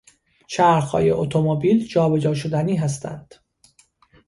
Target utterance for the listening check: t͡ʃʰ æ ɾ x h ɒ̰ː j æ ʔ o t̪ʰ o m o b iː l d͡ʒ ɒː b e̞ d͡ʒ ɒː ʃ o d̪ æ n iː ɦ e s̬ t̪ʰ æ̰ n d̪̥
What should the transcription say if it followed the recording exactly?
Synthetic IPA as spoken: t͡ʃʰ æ ɾ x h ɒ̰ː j e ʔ o t̪ʰ o m o b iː l d͡ʒ ɒː b e̞ d͡ʒ ɒː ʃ o d̪ æ n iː ɦ æ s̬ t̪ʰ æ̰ n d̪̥